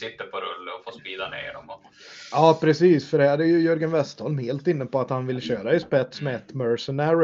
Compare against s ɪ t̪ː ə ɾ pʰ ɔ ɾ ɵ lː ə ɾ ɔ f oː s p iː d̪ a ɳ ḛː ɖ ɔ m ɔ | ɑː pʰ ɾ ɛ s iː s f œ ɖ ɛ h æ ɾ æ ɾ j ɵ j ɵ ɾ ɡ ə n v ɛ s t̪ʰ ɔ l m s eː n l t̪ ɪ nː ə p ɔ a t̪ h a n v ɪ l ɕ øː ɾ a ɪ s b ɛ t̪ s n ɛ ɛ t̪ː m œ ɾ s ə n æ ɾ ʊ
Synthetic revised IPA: s ɪ t̪ː ə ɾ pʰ ɔ ɾ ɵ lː ə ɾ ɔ f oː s p iː d̪ a n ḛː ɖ ɔ m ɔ | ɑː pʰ ɾ ɛ s iː s f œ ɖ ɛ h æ ɾ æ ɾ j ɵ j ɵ ɾ ɡ ə n v ɛ s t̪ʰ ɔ l m h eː l t̪ ɪ nː ə p ɔ a t̪ h a n v ɪ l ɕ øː ɾ a ɪ s p ɛ t̪ s m ɛ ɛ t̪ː m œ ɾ s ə n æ ɾ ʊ